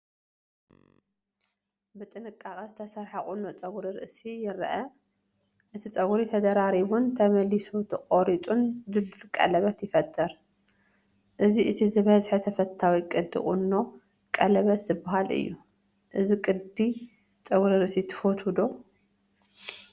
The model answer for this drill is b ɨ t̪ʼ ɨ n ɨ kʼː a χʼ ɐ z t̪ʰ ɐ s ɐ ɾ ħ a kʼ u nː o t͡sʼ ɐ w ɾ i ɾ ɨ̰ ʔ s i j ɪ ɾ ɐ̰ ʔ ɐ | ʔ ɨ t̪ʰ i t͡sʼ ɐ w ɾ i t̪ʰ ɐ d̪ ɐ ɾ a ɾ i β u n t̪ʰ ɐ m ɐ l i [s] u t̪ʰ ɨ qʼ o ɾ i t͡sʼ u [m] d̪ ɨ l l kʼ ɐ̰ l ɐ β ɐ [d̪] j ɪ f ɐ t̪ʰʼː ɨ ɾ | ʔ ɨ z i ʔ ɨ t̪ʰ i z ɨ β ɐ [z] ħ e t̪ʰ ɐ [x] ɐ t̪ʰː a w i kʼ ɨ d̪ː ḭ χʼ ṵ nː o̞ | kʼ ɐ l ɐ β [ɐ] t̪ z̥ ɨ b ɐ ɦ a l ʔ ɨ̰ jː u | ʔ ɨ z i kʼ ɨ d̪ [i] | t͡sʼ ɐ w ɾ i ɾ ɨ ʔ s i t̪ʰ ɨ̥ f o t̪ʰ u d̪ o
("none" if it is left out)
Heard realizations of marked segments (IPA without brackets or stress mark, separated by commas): s, n, t̪, z, f, ɐ, i